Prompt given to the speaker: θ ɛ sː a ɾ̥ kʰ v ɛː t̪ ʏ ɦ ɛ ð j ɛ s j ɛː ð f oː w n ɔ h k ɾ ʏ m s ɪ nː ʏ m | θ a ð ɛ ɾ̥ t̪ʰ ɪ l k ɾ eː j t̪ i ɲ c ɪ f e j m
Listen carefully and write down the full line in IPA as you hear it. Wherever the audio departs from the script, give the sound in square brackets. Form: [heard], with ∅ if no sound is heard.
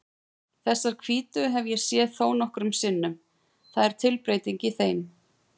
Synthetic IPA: θ ɛ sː a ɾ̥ kʰ v [iː] t̪ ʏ ɦ ɛ [v] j ɛ s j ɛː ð [θ] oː w n ɔ h k ɾ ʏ m s ɪ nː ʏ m | θ a ð ɛ ɾ̥ t̪ʰ ɪ l [p] ɾ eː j t̪ i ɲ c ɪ [θ] e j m